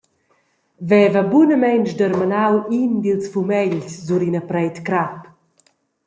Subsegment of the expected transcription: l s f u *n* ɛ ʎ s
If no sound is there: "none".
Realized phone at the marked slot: m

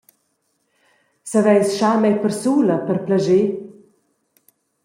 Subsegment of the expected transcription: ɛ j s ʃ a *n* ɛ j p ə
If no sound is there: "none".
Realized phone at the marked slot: m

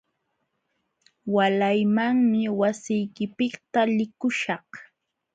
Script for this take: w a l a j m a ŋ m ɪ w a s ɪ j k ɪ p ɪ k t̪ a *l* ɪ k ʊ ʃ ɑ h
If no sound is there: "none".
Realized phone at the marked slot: l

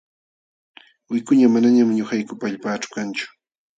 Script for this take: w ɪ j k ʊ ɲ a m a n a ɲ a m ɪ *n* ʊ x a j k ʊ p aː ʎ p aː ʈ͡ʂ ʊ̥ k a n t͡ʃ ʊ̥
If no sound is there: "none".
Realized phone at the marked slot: ɲ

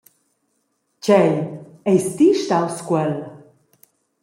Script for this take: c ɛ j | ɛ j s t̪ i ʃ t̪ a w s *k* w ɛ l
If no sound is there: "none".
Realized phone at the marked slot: k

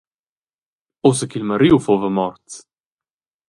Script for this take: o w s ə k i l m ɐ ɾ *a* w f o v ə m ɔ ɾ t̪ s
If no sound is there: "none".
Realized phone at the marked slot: i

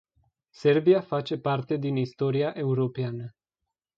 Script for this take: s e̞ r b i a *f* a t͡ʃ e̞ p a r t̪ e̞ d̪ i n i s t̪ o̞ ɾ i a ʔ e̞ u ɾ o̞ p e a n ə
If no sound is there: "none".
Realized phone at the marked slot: f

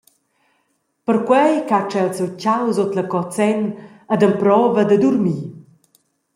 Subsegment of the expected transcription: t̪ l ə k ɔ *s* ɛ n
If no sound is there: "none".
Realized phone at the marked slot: t͡s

